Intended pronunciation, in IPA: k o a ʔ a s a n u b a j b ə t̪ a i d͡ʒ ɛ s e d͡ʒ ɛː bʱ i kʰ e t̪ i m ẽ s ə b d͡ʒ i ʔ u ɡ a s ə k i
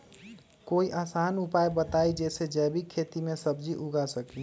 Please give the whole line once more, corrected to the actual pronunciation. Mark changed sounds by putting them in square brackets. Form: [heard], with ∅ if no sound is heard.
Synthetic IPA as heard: k o [i] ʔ a s a n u [p] a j b ə t̪ a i d͡ʒ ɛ s e d͡ʒ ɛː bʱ i kʰ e t̪ i m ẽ s ə b d͡ʒ i ʔ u ɡ a s ə k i